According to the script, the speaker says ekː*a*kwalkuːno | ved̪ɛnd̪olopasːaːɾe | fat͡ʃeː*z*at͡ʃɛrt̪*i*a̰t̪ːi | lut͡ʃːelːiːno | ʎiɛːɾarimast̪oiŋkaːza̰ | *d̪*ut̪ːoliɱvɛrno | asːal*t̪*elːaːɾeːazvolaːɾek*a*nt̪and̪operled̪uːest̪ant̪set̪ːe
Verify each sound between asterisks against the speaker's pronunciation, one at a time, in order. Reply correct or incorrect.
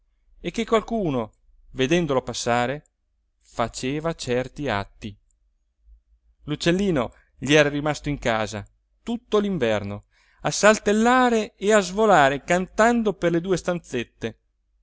incorrect, incorrect, correct, incorrect, correct, correct

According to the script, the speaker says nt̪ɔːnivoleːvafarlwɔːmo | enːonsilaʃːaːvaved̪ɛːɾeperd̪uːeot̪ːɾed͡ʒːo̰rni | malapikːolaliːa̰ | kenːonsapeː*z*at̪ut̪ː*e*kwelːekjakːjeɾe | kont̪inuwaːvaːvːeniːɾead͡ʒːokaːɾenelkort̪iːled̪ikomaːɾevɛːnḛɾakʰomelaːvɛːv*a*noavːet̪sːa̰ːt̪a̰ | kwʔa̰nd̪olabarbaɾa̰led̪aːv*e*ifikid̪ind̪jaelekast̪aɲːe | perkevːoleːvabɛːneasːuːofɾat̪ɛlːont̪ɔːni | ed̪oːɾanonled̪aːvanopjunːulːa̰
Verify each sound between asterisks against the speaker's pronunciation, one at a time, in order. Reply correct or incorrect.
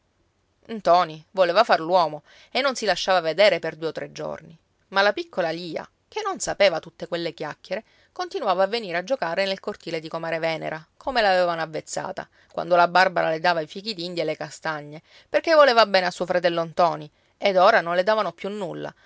incorrect, correct, correct, incorrect

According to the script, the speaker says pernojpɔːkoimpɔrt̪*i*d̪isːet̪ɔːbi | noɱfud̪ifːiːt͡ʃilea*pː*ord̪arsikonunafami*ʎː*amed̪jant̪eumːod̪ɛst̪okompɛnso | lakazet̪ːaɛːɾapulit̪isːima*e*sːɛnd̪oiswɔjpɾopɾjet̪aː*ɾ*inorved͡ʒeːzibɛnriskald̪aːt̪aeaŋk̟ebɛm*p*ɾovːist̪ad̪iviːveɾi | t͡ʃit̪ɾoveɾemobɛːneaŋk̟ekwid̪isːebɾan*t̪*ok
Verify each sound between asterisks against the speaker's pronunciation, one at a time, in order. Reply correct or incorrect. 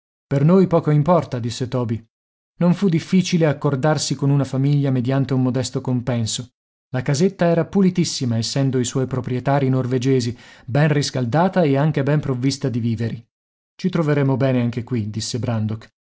incorrect, incorrect, correct, correct, correct, correct, incorrect

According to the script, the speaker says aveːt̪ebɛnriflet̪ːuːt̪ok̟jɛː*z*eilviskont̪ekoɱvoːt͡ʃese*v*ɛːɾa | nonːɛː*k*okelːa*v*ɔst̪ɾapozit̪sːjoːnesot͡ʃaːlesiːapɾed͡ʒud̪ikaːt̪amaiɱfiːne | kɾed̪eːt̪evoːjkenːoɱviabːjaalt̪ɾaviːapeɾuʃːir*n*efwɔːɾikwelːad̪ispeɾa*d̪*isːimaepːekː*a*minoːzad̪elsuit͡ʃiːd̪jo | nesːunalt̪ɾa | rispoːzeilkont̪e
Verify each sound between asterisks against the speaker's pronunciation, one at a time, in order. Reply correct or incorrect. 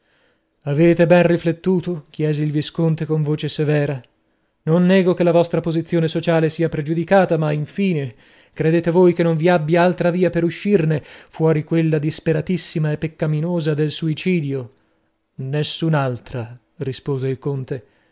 correct, correct, incorrect, correct, correct, incorrect, correct

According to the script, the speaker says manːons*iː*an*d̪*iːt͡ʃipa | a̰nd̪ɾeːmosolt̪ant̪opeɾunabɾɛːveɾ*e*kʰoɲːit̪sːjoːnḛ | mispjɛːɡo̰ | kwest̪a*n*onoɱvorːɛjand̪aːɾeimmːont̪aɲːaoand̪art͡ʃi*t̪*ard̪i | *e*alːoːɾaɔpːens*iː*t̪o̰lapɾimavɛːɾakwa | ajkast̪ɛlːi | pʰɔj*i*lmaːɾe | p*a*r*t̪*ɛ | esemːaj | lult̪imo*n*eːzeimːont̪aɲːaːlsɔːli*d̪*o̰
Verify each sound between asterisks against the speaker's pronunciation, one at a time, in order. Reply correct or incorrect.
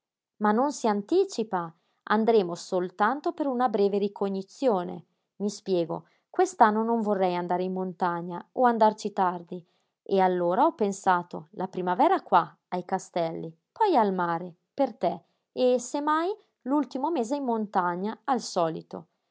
incorrect, incorrect, incorrect, incorrect, correct, correct, incorrect, incorrect, incorrect, correct, incorrect, incorrect

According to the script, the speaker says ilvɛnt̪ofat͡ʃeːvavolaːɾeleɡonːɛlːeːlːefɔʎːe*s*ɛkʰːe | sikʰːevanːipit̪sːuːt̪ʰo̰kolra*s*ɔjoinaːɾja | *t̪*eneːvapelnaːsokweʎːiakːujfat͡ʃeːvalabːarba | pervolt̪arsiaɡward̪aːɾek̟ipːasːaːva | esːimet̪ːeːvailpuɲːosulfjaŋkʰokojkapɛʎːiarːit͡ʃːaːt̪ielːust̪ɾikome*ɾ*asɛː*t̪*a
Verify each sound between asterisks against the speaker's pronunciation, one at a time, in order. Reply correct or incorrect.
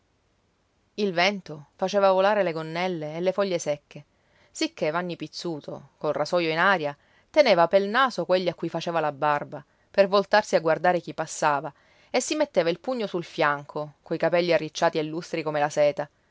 correct, correct, correct, incorrect, correct

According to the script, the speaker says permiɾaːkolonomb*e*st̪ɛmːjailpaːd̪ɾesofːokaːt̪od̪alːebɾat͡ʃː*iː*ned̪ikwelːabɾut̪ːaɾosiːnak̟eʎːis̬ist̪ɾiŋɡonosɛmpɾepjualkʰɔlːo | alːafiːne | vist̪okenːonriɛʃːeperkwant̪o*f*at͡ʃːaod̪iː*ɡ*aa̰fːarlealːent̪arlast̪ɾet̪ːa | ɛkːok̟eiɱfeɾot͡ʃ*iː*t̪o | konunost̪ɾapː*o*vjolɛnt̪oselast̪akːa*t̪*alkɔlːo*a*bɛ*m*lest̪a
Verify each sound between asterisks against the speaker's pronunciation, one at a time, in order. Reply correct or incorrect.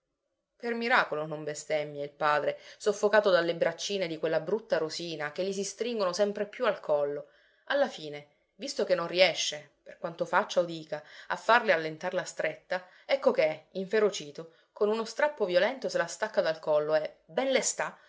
correct, correct, correct, incorrect, correct, correct, incorrect, incorrect, incorrect

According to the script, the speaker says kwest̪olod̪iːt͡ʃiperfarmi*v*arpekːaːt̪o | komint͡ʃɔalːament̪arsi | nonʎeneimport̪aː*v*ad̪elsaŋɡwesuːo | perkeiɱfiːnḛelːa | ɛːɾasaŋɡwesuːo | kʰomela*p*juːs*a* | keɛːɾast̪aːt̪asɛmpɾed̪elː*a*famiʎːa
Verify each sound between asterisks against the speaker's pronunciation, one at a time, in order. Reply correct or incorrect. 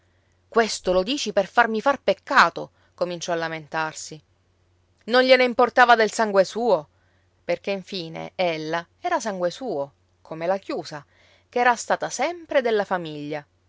incorrect, correct, incorrect, correct, correct

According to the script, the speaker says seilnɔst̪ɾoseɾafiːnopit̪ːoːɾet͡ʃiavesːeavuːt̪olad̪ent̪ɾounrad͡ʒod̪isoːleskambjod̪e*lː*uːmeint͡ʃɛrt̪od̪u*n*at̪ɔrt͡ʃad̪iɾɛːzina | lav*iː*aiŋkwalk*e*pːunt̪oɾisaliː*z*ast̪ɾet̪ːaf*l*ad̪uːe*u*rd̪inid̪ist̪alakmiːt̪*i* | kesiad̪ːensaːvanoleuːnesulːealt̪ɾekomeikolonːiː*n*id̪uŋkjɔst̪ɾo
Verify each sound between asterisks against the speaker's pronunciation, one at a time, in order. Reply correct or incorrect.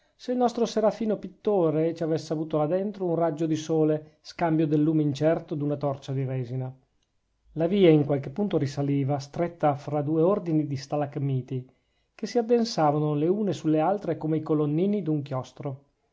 correct, correct, correct, correct, incorrect, incorrect, incorrect, correct, correct

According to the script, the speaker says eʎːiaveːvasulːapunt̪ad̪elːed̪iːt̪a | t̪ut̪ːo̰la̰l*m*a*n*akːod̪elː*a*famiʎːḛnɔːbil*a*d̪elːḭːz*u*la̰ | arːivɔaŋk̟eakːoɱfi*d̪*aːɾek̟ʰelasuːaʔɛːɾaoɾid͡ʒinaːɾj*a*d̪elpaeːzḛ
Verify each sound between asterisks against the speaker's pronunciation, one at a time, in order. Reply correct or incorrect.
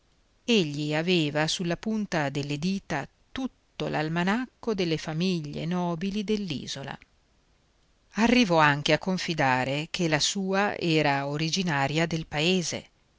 correct, correct, incorrect, incorrect, incorrect, correct, correct

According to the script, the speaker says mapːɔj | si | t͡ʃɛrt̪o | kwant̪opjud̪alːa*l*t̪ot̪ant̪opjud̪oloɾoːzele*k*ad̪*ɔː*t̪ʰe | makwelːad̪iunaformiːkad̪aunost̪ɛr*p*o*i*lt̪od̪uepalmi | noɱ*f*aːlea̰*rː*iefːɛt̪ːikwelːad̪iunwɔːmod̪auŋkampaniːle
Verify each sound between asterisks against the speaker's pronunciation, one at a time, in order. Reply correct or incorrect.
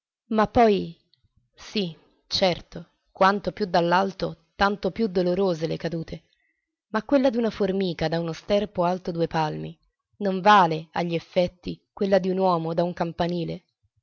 correct, correct, incorrect, correct, incorrect, incorrect, incorrect

